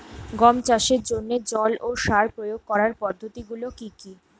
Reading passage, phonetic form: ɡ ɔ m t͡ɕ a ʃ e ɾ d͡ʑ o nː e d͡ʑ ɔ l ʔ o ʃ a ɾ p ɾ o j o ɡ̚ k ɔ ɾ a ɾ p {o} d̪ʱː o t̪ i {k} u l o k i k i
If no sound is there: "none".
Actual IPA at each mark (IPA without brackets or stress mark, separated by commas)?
ɔ, ɡ